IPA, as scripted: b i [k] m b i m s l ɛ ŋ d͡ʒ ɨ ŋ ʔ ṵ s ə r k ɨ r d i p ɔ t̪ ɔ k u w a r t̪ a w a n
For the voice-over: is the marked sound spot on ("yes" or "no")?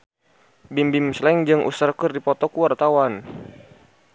no